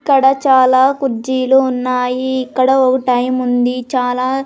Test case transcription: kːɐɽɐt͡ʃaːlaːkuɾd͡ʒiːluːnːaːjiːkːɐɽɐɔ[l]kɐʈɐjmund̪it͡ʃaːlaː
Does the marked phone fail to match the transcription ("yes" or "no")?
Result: yes